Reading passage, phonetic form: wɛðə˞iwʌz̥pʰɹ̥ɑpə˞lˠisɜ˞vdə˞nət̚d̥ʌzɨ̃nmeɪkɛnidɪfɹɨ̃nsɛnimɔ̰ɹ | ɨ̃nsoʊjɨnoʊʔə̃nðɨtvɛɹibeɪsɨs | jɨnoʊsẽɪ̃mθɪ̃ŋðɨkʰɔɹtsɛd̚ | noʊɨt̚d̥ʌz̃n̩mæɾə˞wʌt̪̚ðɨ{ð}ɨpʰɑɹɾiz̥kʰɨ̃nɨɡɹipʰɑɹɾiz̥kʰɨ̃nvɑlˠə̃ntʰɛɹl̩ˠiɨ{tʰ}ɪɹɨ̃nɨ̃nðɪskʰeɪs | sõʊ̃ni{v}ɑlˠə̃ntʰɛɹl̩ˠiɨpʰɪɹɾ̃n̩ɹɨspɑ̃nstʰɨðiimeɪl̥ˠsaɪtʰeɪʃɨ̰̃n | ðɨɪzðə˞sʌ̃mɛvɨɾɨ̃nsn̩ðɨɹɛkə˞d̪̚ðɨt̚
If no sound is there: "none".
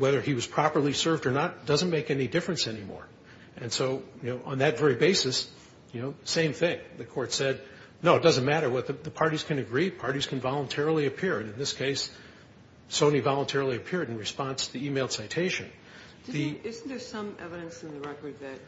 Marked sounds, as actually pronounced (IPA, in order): ð, pʰ, v

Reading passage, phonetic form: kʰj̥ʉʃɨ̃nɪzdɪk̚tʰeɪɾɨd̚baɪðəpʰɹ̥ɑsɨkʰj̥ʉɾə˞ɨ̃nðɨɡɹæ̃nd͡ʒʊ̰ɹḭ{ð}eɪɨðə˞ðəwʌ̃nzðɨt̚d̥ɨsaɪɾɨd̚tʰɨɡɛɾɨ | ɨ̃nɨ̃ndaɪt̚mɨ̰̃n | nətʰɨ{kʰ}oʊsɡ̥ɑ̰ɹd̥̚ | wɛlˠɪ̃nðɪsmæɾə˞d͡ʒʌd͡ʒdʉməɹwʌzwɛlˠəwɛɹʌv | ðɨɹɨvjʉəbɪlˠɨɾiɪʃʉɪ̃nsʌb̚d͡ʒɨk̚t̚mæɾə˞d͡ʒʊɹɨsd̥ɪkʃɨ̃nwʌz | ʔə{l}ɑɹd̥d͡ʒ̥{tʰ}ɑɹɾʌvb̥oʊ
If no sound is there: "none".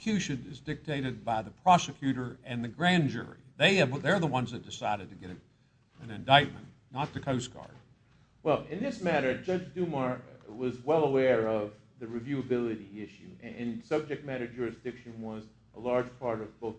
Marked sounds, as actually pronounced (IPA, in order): ð, kʰ, l, pʰ

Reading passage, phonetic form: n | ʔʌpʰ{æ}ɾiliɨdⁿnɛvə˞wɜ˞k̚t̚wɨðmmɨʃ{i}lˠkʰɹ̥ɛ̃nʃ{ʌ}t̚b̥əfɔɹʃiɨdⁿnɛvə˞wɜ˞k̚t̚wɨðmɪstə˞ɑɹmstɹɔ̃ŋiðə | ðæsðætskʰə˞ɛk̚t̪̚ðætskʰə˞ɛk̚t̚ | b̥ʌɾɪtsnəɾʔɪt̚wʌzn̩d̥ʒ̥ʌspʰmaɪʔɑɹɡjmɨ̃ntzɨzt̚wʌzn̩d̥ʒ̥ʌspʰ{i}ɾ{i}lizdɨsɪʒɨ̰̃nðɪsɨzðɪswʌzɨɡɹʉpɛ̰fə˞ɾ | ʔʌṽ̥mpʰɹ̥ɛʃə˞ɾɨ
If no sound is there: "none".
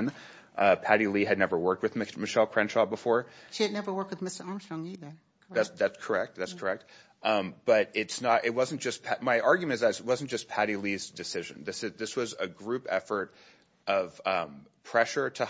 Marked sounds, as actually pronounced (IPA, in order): æ, ɛ, ɑ, æ, i

